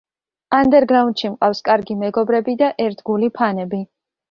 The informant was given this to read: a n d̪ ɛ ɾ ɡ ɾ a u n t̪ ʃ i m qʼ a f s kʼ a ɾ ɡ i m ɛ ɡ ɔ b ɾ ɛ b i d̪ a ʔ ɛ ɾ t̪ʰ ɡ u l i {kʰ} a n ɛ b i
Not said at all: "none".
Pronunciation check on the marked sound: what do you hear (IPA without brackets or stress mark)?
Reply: pʰ